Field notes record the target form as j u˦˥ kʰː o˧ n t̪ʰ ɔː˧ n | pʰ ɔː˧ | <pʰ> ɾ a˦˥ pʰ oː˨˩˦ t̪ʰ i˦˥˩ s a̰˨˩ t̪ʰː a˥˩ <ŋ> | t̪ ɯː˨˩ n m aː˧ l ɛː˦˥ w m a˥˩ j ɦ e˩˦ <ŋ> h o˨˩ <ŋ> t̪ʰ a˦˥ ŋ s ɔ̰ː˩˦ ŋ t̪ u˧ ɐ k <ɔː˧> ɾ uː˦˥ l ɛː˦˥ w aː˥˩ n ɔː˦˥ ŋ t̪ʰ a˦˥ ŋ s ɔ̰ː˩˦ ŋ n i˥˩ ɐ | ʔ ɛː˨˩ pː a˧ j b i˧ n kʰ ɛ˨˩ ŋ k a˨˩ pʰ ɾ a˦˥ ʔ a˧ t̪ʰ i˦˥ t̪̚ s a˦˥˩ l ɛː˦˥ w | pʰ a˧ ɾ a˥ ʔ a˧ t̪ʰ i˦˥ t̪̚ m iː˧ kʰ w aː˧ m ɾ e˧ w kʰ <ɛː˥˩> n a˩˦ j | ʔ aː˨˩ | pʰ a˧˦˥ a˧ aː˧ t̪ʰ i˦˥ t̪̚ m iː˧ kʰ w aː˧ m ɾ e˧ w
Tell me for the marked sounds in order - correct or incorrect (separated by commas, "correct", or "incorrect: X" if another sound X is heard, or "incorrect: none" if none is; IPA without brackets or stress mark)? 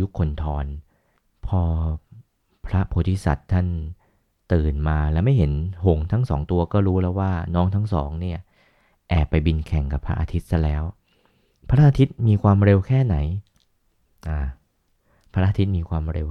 correct, incorrect: n, incorrect: n, correct, incorrect: ɔː˥˩, correct